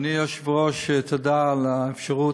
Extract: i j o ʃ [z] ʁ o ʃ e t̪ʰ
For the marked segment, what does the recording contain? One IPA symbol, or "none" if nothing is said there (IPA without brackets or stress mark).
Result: v